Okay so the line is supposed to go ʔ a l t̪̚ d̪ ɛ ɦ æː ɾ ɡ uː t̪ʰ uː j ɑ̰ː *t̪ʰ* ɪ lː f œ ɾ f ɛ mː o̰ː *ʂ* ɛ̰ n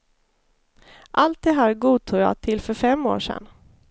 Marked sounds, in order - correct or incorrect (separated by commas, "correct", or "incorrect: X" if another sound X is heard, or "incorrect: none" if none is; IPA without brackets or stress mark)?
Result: correct, correct